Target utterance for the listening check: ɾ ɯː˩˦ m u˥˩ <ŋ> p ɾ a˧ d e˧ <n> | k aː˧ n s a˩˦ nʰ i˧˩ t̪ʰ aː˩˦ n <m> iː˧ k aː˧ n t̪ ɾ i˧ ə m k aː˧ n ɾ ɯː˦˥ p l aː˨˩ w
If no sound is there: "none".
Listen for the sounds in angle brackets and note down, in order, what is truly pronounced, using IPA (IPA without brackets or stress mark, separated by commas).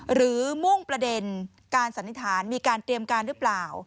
ŋ, n, m